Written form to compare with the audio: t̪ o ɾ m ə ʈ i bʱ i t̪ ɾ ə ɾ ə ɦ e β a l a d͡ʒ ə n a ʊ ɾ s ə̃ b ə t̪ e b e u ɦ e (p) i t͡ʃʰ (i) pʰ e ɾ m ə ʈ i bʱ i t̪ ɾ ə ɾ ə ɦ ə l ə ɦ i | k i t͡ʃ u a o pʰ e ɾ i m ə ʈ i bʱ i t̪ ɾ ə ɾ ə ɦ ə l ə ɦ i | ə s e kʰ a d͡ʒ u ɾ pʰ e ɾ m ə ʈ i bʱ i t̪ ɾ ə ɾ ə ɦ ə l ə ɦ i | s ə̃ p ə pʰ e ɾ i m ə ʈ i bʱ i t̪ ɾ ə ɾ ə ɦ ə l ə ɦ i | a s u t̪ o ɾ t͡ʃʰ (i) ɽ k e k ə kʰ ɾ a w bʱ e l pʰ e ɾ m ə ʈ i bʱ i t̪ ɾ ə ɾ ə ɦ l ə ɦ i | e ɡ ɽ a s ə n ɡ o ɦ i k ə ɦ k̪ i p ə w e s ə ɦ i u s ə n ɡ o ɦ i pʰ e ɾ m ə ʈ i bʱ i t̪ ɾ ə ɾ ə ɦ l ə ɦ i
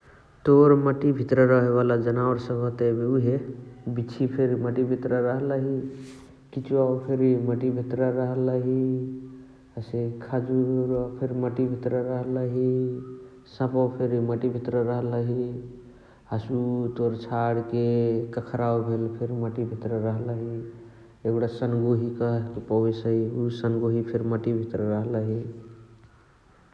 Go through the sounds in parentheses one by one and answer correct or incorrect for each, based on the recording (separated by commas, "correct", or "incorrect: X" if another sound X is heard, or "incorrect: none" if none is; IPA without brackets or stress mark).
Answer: incorrect: b, correct, incorrect: a